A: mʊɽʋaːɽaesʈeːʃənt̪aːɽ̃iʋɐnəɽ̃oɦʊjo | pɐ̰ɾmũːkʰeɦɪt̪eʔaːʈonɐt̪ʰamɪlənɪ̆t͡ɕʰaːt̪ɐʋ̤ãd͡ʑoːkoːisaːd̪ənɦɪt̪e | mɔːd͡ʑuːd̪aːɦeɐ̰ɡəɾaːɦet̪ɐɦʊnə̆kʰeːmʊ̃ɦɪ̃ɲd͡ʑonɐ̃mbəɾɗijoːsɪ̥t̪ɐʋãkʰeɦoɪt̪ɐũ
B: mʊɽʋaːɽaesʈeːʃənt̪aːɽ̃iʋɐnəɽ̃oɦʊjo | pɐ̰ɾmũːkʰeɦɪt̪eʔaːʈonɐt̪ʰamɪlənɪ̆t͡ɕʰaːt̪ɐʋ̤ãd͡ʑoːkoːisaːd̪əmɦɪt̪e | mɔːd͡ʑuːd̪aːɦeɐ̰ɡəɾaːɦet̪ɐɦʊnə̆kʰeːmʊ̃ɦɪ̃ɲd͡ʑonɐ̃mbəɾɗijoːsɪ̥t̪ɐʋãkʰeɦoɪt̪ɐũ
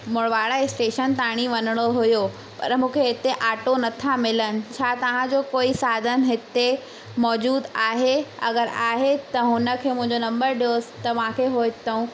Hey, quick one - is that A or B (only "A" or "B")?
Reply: A